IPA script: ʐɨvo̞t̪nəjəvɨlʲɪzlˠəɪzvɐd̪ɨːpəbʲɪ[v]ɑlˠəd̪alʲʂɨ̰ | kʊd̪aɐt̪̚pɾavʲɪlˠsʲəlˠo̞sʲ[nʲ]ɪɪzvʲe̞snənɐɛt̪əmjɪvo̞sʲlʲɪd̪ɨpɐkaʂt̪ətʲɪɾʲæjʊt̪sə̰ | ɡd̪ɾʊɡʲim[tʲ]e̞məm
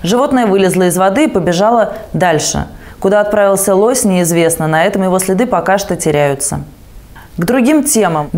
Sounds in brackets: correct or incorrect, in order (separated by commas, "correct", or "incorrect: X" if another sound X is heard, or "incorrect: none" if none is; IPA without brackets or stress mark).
incorrect: ʐ, correct, correct